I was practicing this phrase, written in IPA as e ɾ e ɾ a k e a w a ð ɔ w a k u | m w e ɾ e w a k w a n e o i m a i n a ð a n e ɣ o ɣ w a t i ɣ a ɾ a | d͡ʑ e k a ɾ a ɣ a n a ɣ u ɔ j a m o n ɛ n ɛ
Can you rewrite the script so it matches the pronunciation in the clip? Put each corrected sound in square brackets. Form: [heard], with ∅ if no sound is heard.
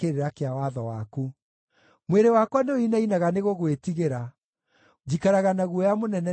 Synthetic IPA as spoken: e ɾ e ɾ a k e a w a ð ɔ w a k u | m w e ɾ e w a k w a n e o i [n] a i n a [ɣ] a n e ɣ o ɣ w [e] t i ɣ [e] ɾ a | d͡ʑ [i] k a ɾ a ɣ a n a ɣ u ɔ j a m o n ɛ n ɛ